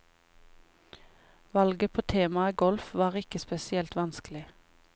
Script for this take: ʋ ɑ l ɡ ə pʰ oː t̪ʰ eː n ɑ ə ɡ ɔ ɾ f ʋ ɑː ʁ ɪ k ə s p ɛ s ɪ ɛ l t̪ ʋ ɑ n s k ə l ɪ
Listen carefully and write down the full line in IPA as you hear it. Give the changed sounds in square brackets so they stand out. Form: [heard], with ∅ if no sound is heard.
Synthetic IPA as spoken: ʋ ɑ l ɡ ə pʰ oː t̪ʰ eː [m] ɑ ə ɡ ɔ [l] f ʋ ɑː ʁ ɪ k ə s p ɛ s ɪ ɛ l t̪ ʋ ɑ n s k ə l ɪ